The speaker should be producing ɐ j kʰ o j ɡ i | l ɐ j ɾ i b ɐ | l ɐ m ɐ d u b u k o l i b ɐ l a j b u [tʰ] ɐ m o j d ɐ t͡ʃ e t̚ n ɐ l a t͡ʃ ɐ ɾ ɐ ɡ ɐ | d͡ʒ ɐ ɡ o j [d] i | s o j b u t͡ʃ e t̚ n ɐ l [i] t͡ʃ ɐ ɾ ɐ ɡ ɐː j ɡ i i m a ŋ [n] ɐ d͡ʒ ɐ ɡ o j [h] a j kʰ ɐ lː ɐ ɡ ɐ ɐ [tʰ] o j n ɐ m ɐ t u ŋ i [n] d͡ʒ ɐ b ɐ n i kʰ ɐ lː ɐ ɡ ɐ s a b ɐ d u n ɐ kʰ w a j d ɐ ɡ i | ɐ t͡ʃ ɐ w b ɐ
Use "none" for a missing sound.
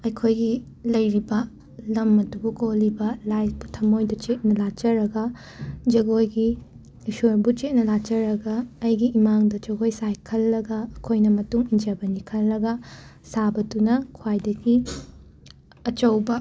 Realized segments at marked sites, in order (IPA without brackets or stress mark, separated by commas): tʰ, ɡ, a, d, s, kʰ, n